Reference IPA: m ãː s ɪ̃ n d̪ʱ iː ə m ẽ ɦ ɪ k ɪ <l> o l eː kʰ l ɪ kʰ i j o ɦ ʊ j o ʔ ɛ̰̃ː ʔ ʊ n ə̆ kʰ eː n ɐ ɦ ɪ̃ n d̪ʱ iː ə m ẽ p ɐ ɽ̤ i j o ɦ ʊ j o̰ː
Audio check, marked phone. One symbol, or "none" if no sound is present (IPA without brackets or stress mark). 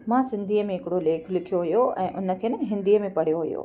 ɽ